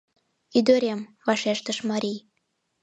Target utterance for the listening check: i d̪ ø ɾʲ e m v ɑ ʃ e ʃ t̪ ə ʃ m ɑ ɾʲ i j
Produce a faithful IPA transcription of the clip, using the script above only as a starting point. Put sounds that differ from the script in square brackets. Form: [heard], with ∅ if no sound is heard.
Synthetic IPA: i d̪ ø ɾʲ e m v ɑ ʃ e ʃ t̪ ə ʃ m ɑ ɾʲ i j